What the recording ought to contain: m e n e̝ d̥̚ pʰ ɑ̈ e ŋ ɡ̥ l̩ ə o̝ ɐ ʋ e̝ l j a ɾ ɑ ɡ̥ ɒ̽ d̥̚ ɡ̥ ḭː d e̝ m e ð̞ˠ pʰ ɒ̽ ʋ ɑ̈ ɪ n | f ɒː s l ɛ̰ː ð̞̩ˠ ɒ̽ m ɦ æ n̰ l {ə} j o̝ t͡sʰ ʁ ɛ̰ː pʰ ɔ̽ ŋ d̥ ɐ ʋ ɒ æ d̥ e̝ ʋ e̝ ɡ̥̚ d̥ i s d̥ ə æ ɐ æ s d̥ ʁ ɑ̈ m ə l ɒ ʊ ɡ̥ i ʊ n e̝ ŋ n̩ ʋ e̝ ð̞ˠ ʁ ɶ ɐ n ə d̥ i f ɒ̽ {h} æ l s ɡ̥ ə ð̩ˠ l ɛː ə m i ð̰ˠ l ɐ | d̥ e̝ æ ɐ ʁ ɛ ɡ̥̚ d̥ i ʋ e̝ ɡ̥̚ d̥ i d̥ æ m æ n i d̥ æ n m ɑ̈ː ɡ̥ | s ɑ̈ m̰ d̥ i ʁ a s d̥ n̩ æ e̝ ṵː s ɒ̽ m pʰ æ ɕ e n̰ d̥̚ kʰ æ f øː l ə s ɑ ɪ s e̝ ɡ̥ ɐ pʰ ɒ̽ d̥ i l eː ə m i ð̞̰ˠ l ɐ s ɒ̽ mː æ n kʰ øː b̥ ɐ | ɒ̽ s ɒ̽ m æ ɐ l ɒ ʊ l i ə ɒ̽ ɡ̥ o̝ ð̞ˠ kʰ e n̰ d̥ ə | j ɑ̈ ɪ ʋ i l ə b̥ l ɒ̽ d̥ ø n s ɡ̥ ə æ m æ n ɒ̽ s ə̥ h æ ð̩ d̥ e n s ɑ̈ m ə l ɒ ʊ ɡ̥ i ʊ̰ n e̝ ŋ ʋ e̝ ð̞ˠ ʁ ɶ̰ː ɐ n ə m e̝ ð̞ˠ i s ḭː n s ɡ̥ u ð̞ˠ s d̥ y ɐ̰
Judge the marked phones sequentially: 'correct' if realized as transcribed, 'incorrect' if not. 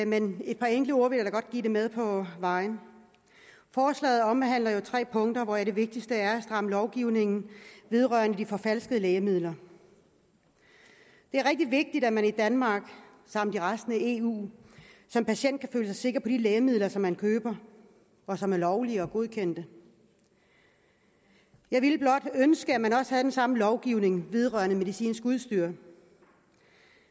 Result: incorrect, incorrect

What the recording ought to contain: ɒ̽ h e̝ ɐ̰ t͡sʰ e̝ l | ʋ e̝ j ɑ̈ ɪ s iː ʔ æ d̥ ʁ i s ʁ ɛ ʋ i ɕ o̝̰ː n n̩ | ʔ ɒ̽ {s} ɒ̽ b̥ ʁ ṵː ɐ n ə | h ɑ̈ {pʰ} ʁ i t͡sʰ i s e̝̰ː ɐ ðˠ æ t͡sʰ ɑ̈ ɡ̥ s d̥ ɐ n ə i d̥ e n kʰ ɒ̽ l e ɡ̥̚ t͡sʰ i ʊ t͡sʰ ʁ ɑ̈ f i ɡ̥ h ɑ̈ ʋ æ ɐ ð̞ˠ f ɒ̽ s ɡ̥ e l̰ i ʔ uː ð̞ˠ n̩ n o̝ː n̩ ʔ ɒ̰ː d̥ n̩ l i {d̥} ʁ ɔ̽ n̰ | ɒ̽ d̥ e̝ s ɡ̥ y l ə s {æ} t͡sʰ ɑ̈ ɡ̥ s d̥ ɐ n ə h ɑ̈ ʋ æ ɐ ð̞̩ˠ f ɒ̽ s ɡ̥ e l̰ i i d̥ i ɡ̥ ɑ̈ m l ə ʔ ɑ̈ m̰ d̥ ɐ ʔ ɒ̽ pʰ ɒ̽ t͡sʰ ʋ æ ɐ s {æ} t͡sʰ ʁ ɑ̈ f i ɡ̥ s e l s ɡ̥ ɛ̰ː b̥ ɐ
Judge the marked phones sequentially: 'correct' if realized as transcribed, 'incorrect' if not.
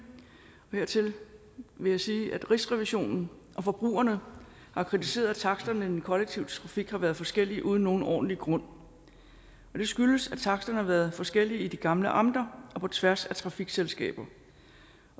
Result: incorrect, incorrect, incorrect, correct, correct

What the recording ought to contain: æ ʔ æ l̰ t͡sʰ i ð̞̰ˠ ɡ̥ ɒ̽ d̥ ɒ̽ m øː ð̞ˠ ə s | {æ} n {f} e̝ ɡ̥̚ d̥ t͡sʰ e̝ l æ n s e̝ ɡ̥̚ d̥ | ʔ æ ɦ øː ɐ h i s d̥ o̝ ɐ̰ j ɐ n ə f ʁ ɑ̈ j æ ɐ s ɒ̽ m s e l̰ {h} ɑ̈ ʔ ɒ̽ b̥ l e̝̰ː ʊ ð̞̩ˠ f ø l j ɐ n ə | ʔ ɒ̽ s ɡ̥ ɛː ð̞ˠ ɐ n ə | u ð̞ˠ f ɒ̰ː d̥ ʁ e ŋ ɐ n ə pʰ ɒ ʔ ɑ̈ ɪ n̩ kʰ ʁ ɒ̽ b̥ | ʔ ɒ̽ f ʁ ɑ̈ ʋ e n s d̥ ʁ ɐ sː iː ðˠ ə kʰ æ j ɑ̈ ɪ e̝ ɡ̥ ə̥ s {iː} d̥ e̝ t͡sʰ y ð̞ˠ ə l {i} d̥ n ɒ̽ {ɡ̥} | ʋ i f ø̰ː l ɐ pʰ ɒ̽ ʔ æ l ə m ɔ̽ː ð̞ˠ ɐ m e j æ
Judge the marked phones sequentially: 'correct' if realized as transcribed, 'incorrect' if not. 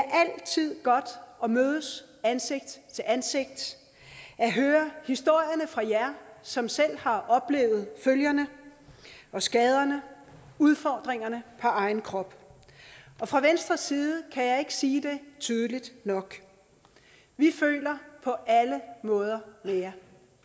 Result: correct, incorrect, correct, correct, correct, correct

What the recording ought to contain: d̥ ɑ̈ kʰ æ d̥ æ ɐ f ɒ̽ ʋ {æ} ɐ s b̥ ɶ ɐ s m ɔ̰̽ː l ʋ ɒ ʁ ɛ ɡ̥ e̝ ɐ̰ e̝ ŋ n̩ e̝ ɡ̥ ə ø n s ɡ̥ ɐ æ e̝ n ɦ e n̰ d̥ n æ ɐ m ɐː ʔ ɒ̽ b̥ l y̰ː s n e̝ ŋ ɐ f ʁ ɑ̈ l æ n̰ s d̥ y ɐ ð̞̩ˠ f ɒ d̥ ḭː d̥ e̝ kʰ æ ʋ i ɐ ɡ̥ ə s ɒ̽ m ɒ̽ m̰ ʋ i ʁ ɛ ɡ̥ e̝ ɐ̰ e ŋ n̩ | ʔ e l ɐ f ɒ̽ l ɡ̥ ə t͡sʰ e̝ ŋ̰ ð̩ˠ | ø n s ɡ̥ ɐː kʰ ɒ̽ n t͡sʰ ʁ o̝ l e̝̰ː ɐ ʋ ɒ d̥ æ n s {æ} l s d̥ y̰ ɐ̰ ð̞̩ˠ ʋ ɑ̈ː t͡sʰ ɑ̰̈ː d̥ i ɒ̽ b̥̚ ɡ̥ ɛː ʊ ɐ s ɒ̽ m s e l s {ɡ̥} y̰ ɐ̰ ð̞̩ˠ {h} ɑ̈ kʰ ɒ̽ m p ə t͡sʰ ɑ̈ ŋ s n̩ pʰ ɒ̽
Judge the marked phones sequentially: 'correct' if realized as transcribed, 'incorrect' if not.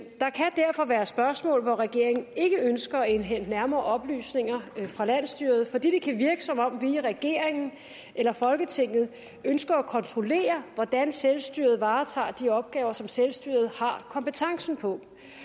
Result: incorrect, incorrect, incorrect, correct

